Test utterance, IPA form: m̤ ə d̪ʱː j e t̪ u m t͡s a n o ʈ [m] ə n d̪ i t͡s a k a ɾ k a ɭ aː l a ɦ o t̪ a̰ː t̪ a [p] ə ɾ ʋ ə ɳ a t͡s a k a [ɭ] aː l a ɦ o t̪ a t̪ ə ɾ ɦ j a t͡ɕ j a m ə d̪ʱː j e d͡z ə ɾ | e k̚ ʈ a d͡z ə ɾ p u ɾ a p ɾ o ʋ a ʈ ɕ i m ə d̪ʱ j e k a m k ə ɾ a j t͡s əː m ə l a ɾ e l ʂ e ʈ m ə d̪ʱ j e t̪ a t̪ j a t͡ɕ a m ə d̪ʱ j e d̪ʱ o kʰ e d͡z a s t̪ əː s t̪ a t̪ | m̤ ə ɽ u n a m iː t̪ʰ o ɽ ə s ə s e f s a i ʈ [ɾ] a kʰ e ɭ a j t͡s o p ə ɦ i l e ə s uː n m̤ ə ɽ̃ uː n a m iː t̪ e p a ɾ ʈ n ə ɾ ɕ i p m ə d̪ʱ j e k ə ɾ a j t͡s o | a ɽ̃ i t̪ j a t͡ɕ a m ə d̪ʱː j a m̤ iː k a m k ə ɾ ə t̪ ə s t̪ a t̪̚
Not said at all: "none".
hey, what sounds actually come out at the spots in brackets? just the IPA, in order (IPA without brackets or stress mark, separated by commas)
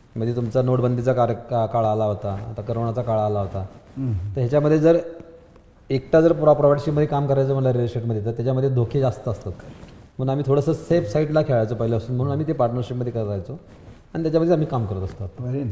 b, k, ɭ, l